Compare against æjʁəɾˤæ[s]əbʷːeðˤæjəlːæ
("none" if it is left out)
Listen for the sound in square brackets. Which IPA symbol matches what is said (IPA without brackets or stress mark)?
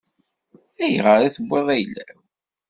θ